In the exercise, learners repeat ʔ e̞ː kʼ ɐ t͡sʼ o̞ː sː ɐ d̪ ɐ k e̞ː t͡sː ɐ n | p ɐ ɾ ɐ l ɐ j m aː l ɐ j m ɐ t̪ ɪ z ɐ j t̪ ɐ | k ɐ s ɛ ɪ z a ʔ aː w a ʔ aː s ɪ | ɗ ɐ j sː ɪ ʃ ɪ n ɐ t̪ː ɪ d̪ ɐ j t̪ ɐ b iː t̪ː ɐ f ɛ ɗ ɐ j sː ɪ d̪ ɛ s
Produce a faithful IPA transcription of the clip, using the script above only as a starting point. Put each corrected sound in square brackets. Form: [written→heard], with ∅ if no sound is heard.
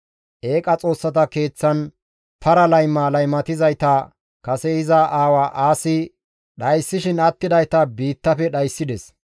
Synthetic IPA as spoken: ʔ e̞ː kʼ ɐ t͡sʼ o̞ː sː ɐ [d̪→t̪] ɐ k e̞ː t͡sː ɐ n | p ɐ ɾ ɐ l ɐ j m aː l ɐ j m ɐ t̪ ɪ z ɐ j t̪ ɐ | k ɐ s ɛ ɪ z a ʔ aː w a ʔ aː s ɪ | ɗ ɐ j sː ɪ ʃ ɪ n ɐ t̪ː ɪ d̪ ɐ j t̪ ɐ b iː t̪ː ɐ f ɛ ɗ ɐ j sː ɪ d̪ ɛ s

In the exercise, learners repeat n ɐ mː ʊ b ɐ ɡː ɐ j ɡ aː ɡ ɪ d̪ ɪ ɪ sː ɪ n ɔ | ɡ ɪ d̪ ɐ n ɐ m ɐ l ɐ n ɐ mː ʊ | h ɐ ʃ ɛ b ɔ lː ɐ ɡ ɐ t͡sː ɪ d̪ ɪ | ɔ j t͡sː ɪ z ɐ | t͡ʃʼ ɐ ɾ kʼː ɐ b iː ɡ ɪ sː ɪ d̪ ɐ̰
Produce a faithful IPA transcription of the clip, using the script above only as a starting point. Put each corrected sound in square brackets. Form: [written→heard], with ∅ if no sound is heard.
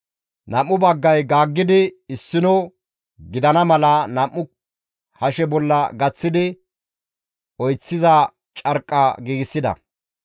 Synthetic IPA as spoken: n ɐ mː ʊ b ɐ ɡː ɐ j ɡ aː [ɡ→ɡː] ɪ d̪ ɪ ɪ sː ɪ n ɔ | ɡ ɪ d̪ ɐ n ɐ m ɐ l ɐ n ɐ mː ʊ | h ɐ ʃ ɛ b ɔ lː ɐ ɡ ɐ t͡sː ɪ d̪ ɪ | ɔ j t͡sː ɪ z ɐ | t͡ʃʼ ɐ ɾ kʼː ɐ [b→ɡ] iː ɡ ɪ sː ɪ d̪ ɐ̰

